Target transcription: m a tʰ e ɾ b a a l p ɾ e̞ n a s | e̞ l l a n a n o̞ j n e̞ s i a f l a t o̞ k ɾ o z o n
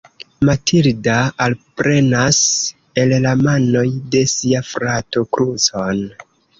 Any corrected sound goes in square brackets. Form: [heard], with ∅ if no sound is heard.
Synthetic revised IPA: m a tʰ [i] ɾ [d] a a l p ɾ e̞ n a s | e̞ l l a [m] a n o̞ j [d] e̞ s i a f [ɾ] a t o̞ k ɾ [u] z o n

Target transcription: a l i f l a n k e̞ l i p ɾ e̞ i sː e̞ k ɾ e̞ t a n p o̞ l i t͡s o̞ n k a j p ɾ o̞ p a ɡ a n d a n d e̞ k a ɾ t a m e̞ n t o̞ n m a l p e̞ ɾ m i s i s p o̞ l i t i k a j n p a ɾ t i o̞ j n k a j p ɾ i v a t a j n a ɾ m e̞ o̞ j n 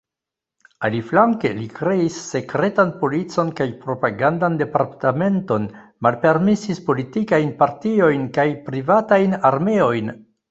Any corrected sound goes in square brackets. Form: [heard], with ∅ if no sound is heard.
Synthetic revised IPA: a l i f l a [ŋ] k e̞ l i [k] ɾ e̞ i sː e̞ k ɾ e̞ t a n p o̞ l i t͡s o̞ n k a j p ɾ o̞ p a ɡ a n d a n d e̞ [p] a ɾ t a m e̞ n t o̞ n m a l p e̞ ɾ m i s i s p o̞ l i t i k a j n p a ɾ t i o̞ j n k a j p ɾ i v a t a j n a ɾ m e̞ o̞ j n

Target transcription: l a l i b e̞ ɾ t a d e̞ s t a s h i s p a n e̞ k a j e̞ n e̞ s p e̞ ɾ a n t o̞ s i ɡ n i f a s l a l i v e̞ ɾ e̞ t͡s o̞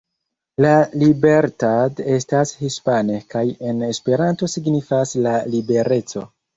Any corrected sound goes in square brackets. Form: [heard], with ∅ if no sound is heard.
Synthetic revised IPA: l a l i b e̞ ɾ t a d e̞ s t a s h i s p a n e̞ k a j e̞ n e̞ s p e̞ ɾ a n t o̞ s i ɡ n i f a s l a l i [b] e̞ ɾ e̞ t͡s o̞

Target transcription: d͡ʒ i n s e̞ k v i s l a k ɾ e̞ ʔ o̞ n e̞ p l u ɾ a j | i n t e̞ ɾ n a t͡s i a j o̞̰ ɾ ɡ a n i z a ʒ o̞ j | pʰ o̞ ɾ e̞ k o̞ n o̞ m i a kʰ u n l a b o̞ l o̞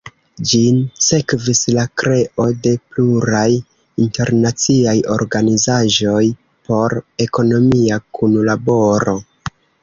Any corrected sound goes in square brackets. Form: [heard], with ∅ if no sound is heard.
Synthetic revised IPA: d͡ʒ i n s e̞ k v i s l a k ɾ e̞ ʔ o̞ [d] e̞ p l u ɾ a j | i n t e̞ ɾ n a t͡s i a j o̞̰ ɾ ɡ a n i z a ʒ o̞ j | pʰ o̞ ɾ e̞ k o̞ n o̞ m i a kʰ u n l a b o̞ [ɾ] o̞

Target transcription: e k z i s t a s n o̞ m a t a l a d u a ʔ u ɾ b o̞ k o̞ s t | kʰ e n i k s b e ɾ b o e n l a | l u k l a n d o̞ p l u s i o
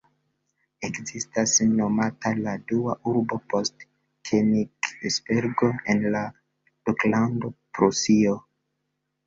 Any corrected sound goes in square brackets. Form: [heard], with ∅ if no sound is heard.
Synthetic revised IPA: e k z i s t a s n o̞ m a t a l a d u a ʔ u ɾ b o̞ [p] o̞ s t | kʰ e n i k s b e ɾ [ɡ] o e n l a | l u k l a n d o̞ p [ɾ] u s i o

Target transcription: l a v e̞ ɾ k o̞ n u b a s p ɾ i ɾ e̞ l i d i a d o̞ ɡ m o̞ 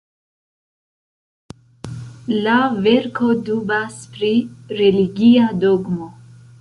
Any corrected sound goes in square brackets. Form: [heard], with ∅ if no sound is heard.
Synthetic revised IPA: l a v e̞ ɾ k o̞ [d] u b a s p ɾ i ɾ e̞ l i [ɡ] i a d o̞ ɡ m o̞

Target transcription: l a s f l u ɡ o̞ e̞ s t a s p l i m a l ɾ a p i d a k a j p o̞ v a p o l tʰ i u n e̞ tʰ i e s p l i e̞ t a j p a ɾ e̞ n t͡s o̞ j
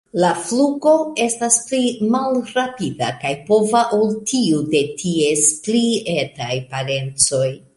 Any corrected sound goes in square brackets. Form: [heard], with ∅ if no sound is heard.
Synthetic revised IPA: l a [∅] f l u ɡ o̞ e̞ s t a s p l i m a l ɾ a p i d a k a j p o̞ v a [ʔ] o l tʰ i u [d] e̞ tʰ i e s p l i e̞ t a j p a ɾ e̞ n t͡s o̞ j

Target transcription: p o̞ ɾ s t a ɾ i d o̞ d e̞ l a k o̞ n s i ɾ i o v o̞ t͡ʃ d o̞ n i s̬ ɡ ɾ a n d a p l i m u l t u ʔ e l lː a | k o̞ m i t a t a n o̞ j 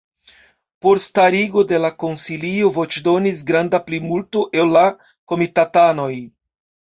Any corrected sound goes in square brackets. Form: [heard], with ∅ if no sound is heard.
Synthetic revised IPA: p o̞ ɾ s t a ɾ i [ɡ] o̞ d e̞ l a k o̞ n s i [l] i o v o̞ t͡ʃ d o̞ n i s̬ ɡ ɾ a n d a p l i m u l t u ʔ e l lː a | k o̞ m i t a t a n o̞ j

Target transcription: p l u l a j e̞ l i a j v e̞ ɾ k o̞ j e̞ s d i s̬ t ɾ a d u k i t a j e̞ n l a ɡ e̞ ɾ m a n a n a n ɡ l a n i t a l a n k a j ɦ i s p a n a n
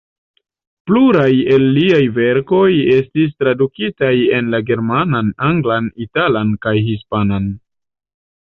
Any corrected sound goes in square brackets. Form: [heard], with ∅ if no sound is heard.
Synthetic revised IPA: p l u [ɾ] a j e̞ [lː] i a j v e̞ ɾ k o̞ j e̞ s [t] i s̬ t ɾ a d u k i t a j e̞ n l a ɡ e̞ ɾ m a n a n a [ŋ] ɡ l a n i t a l a n k a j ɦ i s p a n a n

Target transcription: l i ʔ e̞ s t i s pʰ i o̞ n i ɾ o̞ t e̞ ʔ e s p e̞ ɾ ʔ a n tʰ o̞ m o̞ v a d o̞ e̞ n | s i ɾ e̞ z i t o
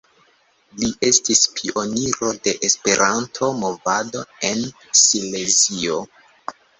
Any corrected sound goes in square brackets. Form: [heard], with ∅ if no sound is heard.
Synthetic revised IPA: l i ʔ e̞ s t i s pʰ i o̞ n i ɾ o̞ [d] e̞ ʔ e s p e̞ ɾ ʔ a n tʰ o̞ m o̞ v a d o̞ e̞ n | s i [l] e̞ z i [∅] o

